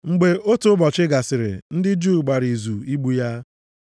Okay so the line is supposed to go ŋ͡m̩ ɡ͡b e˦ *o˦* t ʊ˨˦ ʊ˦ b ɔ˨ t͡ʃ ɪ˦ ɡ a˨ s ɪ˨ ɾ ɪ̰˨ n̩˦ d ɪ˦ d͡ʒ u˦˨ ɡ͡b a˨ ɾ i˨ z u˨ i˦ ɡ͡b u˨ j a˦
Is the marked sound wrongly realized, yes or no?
no